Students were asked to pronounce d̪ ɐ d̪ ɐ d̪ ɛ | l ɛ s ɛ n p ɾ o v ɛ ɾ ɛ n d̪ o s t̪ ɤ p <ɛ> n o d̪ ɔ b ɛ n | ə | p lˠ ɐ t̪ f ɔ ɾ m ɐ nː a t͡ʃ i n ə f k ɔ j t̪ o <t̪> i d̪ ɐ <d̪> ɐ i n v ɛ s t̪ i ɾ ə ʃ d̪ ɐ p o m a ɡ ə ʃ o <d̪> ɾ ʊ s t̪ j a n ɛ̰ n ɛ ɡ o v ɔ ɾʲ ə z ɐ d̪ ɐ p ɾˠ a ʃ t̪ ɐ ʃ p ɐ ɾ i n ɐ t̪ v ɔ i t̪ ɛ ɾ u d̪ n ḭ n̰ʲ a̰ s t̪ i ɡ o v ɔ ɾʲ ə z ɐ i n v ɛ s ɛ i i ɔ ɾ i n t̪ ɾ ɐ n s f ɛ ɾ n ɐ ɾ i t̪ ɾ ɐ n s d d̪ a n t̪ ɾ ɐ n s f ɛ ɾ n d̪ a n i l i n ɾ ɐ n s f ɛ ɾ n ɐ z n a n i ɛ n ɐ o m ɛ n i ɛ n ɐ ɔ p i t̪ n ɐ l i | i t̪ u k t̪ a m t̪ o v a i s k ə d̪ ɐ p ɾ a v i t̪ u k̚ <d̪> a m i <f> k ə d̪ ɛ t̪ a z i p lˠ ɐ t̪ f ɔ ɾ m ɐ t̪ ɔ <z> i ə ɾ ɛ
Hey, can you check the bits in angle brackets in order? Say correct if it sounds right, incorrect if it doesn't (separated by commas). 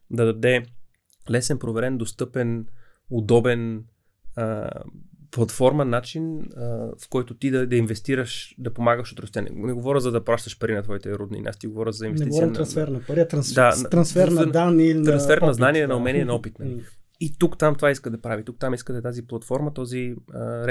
correct, correct, correct, incorrect, incorrect, incorrect, correct